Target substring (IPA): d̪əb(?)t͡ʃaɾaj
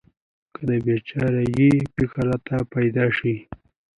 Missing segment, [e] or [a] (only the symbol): e